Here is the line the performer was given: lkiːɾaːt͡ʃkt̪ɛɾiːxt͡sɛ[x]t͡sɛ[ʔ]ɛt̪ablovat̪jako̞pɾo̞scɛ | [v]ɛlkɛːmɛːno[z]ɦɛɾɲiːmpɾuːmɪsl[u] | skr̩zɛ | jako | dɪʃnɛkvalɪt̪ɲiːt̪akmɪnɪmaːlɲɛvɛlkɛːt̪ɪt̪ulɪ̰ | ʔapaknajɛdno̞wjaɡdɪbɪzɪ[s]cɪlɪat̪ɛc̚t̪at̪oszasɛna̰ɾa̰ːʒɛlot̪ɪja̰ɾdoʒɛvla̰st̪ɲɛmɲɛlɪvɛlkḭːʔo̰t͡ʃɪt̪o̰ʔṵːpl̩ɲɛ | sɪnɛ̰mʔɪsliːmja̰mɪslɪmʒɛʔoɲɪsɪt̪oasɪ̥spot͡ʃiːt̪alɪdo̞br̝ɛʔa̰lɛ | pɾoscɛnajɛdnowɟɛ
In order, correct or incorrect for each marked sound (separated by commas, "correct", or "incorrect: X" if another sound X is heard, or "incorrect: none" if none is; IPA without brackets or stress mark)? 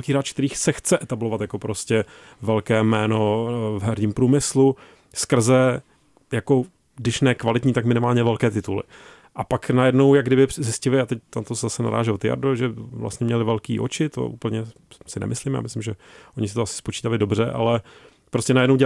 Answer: correct, correct, correct, incorrect: v, correct, correct